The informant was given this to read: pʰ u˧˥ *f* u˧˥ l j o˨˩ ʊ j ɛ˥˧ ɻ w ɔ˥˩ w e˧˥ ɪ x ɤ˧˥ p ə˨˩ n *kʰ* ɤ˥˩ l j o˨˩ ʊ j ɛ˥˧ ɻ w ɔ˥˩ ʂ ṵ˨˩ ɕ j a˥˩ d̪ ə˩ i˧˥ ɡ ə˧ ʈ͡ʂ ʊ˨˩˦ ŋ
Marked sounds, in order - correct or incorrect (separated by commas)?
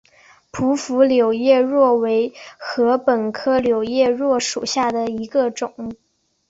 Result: correct, correct